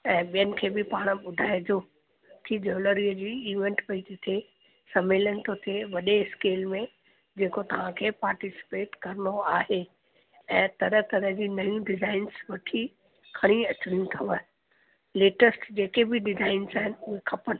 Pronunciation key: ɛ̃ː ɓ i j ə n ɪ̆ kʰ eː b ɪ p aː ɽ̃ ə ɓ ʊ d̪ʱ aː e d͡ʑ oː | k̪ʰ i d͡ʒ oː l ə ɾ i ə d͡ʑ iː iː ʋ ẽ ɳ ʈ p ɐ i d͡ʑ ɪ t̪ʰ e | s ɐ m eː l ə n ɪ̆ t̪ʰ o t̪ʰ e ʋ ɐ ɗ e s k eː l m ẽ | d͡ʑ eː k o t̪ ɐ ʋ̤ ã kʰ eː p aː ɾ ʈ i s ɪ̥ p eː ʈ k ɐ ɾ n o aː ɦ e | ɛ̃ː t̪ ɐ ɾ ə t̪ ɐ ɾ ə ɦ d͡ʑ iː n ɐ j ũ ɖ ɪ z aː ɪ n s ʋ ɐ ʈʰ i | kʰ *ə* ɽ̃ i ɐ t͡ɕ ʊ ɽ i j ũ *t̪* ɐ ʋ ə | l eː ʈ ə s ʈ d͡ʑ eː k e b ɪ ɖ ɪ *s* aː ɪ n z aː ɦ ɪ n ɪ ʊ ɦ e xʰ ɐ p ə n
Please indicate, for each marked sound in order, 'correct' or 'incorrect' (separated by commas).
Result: incorrect, incorrect, incorrect